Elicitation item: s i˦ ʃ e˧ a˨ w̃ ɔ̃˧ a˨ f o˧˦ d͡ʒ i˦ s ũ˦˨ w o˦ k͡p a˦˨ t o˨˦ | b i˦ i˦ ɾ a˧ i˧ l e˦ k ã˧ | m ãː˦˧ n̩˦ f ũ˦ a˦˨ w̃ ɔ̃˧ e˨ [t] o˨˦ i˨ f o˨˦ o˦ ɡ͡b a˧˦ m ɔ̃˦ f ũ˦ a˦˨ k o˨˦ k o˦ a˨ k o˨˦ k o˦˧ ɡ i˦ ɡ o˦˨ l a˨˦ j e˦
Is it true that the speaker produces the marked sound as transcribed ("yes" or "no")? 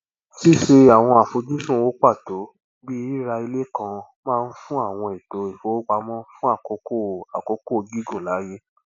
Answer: yes